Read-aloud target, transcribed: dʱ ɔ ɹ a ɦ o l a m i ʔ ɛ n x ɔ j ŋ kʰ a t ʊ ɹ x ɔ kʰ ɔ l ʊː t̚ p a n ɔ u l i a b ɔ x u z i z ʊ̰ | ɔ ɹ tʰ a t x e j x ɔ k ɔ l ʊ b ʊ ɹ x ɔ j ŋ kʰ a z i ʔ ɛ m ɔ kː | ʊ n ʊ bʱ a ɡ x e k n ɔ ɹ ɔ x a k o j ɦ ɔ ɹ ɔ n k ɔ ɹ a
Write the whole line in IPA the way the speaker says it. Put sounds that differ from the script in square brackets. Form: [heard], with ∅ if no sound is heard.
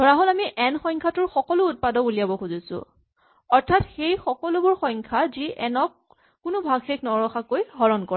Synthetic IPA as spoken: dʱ ɔ ɹ a ɦ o l a m i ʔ ɛ n x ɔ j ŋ kʰ a t ʊ ɹ x ɔ [k] ɔ l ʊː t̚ p a [d] ɔ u l i a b ɔ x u z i [s] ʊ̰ | ɔ ɹ tʰ a t x e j x ɔ k ɔ l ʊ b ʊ ɹ x ɔ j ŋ kʰ a z i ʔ ɛ [n] ɔ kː | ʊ n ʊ bʱ a ɡ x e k n ɔ ɹ ɔ x a k o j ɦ ɔ ɹ ɔ n k ɔ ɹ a

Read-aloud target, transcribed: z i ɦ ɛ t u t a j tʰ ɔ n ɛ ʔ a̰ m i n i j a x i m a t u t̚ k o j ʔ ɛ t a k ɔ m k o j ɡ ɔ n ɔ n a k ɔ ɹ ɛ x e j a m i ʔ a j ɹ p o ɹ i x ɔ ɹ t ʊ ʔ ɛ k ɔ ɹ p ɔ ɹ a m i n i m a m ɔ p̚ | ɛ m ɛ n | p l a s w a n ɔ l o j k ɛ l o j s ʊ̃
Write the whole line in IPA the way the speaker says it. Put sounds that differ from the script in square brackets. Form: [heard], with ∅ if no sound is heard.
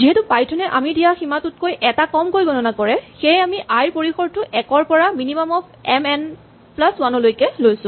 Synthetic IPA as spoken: z i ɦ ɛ t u [p] a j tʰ ɔ n ɛ ʔ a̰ m i [d] i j a x i m a t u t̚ k o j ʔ ɛ t a k ɔ m k o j ɡ ɔ n ɔ n a k ɔ ɹ ɛ x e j a m i ʔ a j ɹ p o ɹ i x ɔ ɹ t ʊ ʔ ɛ k ɔ ɹ p ɔ ɹ a m i n i m a m ɔ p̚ | ɛ m ɛ n | p l a s w a n ɔ l o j k ɛ l o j s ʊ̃

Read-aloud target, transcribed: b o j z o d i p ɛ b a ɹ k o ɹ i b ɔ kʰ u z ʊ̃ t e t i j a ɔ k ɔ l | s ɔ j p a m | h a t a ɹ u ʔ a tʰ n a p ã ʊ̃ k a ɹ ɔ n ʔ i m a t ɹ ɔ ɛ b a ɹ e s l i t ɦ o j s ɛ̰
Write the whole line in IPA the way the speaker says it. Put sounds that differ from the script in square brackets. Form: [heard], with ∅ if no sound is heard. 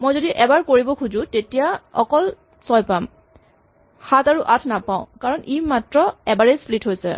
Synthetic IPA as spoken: [m] o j z o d i [ʔ] ɛ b a ɹ k o ɹ i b ɔ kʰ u z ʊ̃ t e t i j a ɔ k ɔ l | s ɔ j p a m | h a t a ɹ u ʔ a tʰ n a p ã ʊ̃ k a ɹ ɔ n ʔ i m a t ɹ ɔ ɛ b a ɹ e s l i t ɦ o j s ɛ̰

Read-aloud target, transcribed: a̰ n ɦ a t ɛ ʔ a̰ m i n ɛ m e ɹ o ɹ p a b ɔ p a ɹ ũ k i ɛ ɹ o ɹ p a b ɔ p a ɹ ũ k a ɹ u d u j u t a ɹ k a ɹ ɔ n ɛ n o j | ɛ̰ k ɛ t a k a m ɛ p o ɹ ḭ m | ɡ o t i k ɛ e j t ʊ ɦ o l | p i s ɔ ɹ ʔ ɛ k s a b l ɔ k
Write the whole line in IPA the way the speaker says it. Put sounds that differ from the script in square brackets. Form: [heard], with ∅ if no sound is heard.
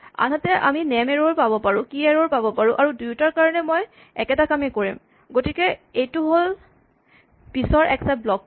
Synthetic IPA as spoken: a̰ n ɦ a t ɛ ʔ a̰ m i n ɛ m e ɹ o ɹ p a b ɔ p a ɹ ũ k i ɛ ɹ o ɹ p a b ɔ p a ɹ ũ [ʔ] a ɹ u d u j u t a ɹ k a ɹ ɔ n ɛ [m] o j | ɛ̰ k ɛ t a k a m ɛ [k] o ɹ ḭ m | ɡ o t i k ɛ e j t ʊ ɦ o l | p i s ɔ ɹ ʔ ɛ k s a b l ɔ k

